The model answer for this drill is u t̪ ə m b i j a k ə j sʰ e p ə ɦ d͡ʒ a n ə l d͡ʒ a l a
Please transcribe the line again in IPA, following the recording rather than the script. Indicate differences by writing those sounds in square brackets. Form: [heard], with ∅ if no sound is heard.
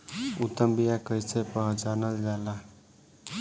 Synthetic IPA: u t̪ ə m b i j a k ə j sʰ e p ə ɦ d͡ʒ a n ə l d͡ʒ a l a